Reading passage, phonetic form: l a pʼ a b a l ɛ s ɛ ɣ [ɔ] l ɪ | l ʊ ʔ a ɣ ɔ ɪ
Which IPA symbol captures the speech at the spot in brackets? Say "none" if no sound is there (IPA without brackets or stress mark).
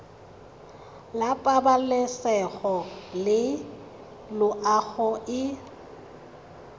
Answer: ɔ